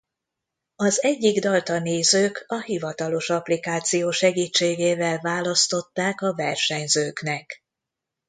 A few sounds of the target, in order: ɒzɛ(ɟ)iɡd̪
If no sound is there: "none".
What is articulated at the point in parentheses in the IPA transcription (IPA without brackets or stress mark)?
ɟː